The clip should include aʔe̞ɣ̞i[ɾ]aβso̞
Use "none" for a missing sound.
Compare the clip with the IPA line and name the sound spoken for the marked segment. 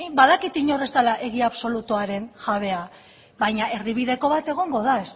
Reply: none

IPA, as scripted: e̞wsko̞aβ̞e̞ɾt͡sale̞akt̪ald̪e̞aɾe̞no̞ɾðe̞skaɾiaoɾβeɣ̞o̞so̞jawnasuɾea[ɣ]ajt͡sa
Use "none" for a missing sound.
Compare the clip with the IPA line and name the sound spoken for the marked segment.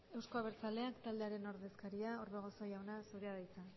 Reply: ð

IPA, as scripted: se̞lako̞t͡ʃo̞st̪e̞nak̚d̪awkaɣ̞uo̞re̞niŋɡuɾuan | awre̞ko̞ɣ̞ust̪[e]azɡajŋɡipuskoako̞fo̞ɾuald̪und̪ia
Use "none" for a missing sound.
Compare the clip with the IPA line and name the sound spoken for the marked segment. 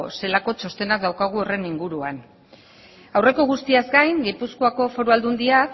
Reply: i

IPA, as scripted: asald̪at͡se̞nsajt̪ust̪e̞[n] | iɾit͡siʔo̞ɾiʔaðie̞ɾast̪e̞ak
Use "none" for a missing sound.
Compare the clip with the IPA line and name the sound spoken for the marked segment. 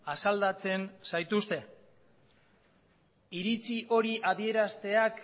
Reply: none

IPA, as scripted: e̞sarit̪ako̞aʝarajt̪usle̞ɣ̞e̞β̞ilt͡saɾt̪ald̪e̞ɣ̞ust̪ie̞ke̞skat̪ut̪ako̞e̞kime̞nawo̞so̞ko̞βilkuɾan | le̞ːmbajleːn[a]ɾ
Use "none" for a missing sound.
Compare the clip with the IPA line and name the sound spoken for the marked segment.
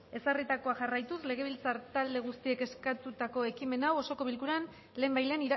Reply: i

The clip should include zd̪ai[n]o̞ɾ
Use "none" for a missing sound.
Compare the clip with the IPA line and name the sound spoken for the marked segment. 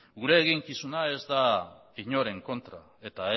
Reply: ɲ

